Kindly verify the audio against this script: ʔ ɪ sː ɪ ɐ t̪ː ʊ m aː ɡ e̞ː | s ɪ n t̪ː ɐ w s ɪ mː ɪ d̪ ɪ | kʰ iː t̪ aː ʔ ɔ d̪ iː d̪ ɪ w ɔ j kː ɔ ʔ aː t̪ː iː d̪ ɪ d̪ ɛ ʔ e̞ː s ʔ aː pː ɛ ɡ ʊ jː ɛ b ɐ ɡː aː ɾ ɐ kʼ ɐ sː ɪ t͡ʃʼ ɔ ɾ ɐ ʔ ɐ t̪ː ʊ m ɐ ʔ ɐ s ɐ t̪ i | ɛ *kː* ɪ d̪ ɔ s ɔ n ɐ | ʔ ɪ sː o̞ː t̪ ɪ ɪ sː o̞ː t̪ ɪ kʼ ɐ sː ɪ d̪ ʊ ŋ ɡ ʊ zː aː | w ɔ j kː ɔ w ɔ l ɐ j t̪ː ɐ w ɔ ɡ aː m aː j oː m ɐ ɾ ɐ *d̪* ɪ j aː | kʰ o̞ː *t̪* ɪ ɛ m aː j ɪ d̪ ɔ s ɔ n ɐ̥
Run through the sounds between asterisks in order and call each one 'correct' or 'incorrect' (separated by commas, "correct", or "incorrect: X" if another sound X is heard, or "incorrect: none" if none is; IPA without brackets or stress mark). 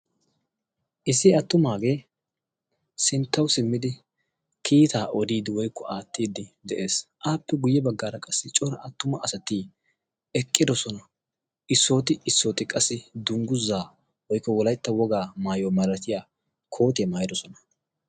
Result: incorrect: kʼː, incorrect: t̪, correct